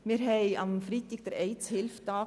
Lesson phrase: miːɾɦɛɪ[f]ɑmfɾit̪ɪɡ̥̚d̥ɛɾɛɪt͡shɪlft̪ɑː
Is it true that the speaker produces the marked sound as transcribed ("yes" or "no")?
no